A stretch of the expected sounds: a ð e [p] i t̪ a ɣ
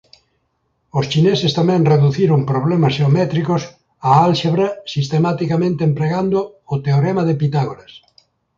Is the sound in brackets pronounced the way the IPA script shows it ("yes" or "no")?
yes